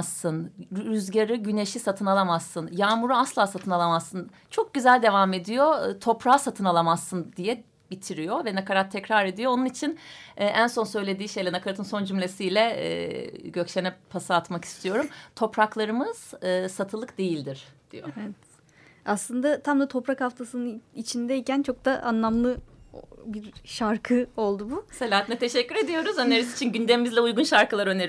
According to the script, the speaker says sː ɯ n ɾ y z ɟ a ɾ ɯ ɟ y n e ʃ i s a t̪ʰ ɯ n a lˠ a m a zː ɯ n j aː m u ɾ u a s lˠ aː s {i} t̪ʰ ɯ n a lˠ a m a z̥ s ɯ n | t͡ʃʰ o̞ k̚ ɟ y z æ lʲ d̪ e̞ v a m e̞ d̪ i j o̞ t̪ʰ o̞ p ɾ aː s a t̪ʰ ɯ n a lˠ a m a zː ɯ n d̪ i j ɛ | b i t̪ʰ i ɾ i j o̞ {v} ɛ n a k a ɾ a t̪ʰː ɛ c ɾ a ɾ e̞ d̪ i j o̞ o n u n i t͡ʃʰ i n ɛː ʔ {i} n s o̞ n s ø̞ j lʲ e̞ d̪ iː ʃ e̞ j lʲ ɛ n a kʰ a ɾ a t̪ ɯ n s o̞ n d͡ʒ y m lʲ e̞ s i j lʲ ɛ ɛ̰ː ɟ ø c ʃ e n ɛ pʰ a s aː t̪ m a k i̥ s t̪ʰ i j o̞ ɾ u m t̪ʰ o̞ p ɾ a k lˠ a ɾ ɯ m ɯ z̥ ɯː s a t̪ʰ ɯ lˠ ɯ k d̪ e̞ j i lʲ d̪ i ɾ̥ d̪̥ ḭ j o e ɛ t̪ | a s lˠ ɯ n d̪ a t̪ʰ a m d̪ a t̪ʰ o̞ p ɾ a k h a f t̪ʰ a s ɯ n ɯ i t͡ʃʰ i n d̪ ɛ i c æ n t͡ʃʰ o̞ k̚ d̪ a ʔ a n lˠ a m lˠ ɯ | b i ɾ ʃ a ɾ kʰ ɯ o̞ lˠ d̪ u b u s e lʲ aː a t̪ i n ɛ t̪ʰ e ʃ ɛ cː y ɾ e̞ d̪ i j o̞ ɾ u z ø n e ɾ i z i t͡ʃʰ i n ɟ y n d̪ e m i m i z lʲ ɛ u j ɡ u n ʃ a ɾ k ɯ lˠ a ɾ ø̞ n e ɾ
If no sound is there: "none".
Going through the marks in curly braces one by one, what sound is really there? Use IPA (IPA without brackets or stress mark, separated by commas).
a, v, æ